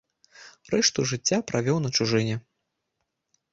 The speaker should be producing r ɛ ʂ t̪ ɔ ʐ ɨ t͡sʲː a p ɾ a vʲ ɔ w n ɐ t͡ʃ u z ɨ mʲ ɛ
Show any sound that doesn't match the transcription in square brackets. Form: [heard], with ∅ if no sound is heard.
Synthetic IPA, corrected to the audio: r ɛ ʂ t̪ [u] ʐ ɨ t͡sʲː a p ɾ a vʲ ɔ w n ɐ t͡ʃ u [ʐ] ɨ [nʲ] ɛ